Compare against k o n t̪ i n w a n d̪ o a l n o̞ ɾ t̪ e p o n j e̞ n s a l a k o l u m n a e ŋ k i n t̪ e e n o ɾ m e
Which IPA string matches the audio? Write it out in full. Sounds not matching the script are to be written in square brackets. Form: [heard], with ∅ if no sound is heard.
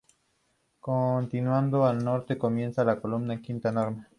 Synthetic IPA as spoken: k o n t̪ i n w a n d̪ o a l n o̞ ɾ t̪ e [k] o [m] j e̞ n s a l a k o l u m n a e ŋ k i n t̪ [a] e n o ɾ m e